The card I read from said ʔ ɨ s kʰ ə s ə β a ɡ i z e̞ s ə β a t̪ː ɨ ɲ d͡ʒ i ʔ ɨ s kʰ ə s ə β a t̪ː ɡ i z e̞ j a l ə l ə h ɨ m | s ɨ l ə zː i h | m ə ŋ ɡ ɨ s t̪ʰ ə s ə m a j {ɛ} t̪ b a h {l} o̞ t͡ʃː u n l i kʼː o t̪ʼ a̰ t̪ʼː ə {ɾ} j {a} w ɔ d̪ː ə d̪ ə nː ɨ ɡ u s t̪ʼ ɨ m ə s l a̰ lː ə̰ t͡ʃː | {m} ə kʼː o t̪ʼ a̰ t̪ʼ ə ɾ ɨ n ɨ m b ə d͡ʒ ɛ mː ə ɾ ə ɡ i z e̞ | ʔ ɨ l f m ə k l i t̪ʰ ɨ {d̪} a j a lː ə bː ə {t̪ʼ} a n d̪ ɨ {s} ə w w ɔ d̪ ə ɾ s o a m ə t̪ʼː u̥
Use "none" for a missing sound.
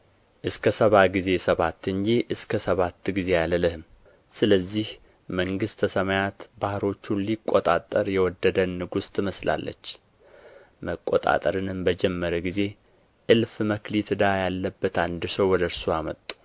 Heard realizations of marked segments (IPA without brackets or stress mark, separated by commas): a, ɾ, ɾ, ɛ, m, d̪, t̪, s